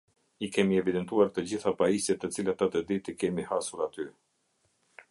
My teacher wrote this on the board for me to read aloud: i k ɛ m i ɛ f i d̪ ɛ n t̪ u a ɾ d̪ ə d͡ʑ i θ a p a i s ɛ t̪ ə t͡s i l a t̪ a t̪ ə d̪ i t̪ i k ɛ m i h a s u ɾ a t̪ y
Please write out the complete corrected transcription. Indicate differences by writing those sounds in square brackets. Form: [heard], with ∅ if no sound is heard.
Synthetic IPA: i k ɛ m i ɛ [v] i d̪ ɛ n t̪ u a ɾ [t̪] ə d͡ʑ i θ a p a i s ɛ t̪ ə t͡s i l a t̪ a t̪ ə d̪ i t̪ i k ɛ m i h a s u ɾ a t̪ y